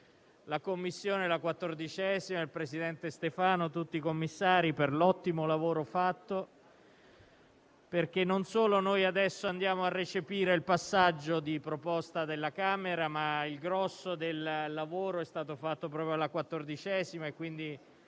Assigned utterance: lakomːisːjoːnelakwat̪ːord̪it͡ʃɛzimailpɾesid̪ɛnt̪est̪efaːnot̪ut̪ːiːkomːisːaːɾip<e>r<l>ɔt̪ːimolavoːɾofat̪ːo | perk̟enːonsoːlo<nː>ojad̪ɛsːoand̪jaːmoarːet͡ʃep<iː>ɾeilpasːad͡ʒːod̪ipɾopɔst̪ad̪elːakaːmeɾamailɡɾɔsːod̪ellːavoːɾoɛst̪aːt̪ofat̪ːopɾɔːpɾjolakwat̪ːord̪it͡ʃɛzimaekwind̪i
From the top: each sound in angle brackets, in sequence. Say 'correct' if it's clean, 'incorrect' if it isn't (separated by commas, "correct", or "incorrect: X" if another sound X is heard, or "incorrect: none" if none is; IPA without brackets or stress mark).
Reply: correct, correct, incorrect: n, correct